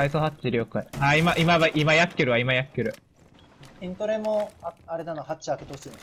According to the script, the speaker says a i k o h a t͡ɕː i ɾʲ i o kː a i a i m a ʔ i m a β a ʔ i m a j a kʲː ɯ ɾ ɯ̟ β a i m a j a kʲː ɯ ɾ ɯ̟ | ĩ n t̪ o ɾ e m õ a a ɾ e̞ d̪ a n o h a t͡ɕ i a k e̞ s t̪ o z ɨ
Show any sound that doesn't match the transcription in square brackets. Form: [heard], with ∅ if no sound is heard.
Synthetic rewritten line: a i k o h a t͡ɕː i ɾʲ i o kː a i a i m a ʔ i m a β a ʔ i m a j a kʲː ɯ ɾ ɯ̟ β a i m a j a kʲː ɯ ɾ ɯ̟ | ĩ n t̪ o ɾ e m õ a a ɾ e̞ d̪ a n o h a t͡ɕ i a k e̞ [∅] t̪ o [s] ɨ